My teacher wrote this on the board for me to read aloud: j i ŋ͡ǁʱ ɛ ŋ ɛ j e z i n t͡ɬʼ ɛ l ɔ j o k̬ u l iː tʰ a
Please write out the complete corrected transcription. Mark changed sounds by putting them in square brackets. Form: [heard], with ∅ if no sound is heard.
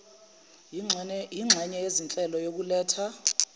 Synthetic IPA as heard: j i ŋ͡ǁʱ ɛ [ɲ] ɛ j e z i n t͡ɬʼ ɛ l ɔ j o k̬ u l [ɛː] tʰ a